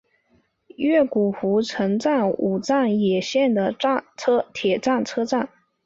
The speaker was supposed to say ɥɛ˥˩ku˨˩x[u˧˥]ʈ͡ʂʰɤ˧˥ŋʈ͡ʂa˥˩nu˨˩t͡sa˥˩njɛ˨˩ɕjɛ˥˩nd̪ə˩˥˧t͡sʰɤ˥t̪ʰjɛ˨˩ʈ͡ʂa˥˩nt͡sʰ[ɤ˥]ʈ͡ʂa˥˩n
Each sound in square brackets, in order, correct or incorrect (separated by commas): correct, correct